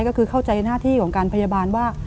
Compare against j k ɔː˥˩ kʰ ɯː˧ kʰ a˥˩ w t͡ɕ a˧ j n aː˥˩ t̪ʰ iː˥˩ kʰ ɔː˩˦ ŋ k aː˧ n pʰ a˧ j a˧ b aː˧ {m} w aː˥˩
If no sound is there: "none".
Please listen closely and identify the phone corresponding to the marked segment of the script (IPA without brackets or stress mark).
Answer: n